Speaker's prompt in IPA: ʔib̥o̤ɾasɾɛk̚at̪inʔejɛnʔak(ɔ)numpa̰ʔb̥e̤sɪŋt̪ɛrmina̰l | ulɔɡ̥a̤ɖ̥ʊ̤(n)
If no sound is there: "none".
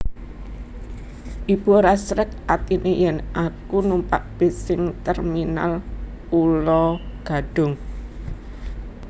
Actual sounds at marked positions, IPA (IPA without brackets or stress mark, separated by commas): u, ŋ